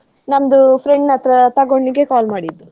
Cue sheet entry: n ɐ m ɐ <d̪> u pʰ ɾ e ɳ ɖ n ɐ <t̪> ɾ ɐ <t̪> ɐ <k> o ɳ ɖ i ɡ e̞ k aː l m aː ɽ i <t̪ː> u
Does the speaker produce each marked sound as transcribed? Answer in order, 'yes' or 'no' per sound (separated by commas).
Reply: yes, yes, yes, no, no